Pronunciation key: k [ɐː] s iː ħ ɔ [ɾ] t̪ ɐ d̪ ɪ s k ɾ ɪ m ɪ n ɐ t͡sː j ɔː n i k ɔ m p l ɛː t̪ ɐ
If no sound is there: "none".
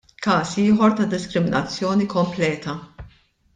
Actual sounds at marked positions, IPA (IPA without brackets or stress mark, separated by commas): ɐː, ɾ